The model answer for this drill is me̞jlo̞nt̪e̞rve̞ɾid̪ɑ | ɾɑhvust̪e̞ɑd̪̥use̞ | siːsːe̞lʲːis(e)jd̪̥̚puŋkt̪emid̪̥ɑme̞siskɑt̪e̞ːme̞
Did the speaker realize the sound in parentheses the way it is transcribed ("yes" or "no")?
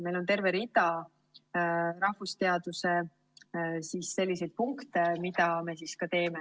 yes